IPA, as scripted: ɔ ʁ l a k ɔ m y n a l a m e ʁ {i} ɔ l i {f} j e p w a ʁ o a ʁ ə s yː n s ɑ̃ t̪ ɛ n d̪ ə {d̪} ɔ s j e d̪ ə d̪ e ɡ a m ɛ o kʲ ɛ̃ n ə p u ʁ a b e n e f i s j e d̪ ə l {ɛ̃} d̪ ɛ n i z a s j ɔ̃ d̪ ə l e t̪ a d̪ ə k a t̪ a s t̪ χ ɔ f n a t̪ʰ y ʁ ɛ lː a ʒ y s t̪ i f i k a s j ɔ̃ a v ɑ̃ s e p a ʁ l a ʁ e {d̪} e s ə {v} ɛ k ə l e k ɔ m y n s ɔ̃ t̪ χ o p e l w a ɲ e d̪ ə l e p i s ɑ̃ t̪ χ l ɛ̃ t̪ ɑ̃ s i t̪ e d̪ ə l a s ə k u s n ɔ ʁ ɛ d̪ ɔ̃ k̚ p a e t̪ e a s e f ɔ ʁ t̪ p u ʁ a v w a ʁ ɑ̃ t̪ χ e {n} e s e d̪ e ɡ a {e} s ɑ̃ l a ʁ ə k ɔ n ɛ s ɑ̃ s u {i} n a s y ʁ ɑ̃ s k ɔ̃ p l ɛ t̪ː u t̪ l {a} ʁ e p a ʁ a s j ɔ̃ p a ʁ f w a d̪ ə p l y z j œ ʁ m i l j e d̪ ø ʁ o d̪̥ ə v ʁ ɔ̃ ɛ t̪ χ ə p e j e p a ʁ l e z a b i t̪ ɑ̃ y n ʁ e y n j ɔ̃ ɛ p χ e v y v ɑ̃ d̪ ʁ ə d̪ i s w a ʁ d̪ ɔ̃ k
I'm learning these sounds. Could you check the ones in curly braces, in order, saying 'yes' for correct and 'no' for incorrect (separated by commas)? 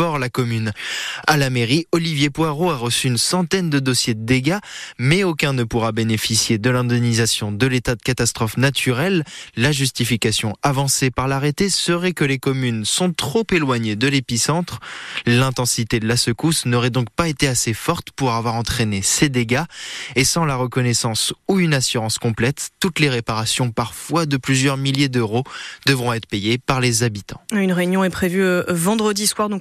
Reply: yes, no, yes, yes, no, no, yes, yes, no, no